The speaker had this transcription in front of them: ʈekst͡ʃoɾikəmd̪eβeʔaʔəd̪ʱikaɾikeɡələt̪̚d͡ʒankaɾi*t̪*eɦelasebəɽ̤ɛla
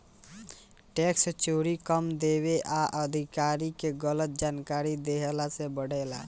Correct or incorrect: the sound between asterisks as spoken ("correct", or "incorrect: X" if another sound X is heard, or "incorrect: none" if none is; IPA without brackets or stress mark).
incorrect: d̪